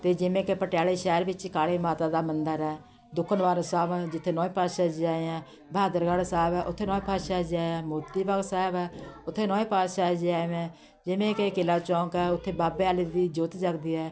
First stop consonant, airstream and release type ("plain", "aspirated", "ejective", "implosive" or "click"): plain